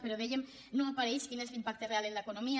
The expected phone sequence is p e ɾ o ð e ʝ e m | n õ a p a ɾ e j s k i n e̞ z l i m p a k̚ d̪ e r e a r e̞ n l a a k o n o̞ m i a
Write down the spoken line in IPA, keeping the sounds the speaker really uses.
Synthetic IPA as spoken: p e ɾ o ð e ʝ e m | n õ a p a ɾ e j s k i n e̞ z l i m p a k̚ t̪ e r e a l e̞ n l a e k o n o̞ m i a